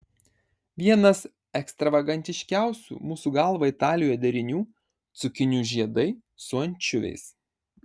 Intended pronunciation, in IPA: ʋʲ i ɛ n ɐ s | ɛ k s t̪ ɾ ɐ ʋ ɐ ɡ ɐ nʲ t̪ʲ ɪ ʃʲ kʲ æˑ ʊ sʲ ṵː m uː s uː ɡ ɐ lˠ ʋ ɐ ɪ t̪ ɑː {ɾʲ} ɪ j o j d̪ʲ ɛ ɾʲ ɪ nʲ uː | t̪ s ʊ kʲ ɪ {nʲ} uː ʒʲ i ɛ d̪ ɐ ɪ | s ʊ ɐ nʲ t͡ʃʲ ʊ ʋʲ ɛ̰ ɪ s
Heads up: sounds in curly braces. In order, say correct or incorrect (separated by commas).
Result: incorrect, correct